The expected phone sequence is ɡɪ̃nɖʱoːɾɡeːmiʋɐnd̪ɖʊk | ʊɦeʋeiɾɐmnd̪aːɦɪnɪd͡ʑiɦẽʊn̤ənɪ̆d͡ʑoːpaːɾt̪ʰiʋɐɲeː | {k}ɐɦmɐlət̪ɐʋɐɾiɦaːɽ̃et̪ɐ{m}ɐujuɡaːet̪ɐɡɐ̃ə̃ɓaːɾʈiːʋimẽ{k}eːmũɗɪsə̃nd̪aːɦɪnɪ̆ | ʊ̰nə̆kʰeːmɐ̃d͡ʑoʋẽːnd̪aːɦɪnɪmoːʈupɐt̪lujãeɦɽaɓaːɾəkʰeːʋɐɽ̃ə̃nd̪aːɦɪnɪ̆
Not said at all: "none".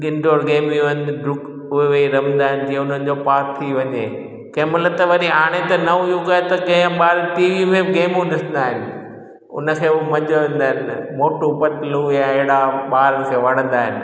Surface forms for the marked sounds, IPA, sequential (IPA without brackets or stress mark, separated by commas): k, n, ɡ